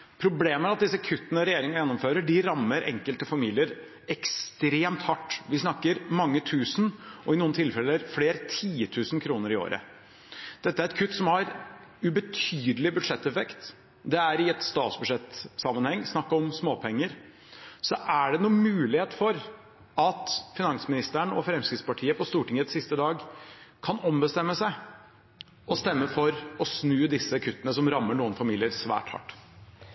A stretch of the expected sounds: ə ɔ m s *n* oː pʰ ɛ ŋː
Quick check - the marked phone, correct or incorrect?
incorrect